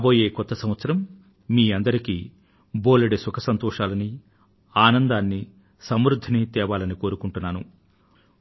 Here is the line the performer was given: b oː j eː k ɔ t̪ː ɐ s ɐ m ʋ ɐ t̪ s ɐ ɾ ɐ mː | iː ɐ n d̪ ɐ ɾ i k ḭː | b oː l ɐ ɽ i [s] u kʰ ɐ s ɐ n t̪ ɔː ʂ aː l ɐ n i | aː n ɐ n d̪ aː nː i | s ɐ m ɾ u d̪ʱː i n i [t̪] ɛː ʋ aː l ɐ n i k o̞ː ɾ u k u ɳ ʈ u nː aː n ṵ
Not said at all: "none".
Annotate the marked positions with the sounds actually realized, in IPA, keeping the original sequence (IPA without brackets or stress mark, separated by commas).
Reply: s, t̪